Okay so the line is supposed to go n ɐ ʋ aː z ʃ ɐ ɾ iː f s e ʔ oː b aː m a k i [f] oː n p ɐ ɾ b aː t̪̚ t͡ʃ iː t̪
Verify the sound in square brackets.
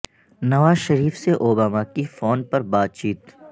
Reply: correct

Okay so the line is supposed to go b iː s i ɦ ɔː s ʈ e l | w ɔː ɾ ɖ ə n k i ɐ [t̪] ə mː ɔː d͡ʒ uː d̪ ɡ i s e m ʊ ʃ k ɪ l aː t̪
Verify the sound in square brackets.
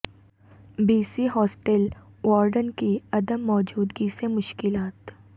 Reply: incorrect: d̪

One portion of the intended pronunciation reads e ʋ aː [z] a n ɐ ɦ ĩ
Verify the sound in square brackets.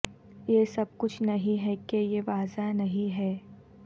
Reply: correct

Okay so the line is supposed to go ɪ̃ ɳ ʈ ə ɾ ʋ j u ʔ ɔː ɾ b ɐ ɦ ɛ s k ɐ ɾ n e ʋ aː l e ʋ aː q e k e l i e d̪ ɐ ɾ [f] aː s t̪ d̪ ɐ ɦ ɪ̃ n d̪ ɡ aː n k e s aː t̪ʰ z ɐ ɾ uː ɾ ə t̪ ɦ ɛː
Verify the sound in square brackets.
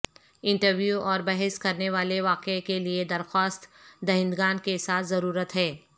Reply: incorrect: x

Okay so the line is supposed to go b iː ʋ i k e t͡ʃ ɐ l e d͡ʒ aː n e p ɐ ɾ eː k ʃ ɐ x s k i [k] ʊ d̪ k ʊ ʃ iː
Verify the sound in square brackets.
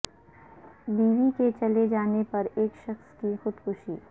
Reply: incorrect: x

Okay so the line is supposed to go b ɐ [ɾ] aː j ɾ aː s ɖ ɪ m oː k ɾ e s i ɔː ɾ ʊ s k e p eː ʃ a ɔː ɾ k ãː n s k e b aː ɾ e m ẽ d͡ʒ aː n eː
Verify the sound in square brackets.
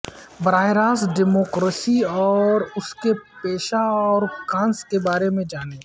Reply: correct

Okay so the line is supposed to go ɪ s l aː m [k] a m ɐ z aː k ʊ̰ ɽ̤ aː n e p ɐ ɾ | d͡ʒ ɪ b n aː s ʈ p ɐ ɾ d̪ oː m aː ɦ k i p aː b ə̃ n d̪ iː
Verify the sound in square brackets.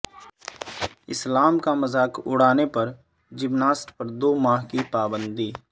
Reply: correct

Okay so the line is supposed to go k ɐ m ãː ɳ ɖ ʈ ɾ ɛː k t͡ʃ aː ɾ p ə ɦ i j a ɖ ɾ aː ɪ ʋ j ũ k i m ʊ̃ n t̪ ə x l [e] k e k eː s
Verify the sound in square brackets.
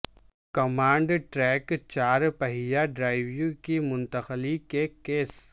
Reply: incorrect: i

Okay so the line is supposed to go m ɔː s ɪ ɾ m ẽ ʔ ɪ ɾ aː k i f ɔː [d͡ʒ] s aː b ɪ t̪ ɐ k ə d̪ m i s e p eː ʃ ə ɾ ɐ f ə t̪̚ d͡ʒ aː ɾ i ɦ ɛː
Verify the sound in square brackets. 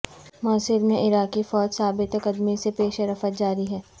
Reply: correct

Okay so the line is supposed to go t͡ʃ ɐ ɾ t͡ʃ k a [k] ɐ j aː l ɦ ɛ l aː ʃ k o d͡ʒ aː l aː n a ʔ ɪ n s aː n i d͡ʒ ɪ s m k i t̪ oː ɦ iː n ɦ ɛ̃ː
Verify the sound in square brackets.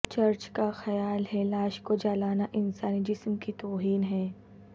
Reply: incorrect: x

